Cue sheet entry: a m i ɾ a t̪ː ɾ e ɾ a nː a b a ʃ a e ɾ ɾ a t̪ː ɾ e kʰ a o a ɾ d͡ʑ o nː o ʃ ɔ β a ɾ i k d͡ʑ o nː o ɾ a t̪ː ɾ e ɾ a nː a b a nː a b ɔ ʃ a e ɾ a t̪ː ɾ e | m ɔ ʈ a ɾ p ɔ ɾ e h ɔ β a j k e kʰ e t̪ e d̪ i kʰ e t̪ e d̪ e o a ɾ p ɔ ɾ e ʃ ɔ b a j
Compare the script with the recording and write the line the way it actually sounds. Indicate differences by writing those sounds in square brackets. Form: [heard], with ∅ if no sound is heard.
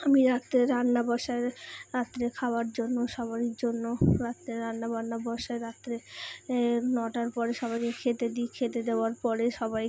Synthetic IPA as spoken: a m i ɾ a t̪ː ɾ e ɾ a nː a b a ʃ a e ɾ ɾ a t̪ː ɾ e kʰ a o a ɾ d͡ʑ o nː o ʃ ɔ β a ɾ i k d͡ʑ o nː o ɾ a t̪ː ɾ e ɾ a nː a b a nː a b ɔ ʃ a e ɾ a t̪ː ɾ e | [n] ɔ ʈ a ɾ p ɔ ɾ e [ʃ] ɔ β a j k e kʰ e t̪ e d̪ i kʰ e t̪ e d̪ e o a ɾ p ɔ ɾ e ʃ ɔ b a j